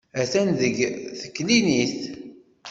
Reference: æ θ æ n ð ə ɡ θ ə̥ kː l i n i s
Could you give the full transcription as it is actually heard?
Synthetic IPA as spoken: æ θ æ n ð ə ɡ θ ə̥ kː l i n i θ